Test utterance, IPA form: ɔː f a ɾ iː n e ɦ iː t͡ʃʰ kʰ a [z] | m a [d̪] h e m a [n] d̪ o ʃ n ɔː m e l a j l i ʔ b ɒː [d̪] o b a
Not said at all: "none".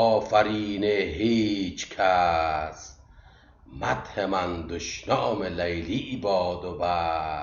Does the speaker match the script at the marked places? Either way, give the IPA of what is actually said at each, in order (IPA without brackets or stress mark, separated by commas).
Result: s, t̪, n, d̪